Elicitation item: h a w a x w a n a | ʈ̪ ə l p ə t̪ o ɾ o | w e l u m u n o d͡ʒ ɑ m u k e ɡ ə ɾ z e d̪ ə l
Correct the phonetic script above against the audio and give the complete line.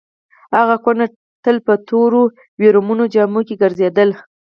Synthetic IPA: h a ɣ a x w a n a | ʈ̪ ə l p ə t̪ o ɾ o | w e ɾ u m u n o d͡ʒ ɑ m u k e ɡ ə ɾ z e d̪ ə l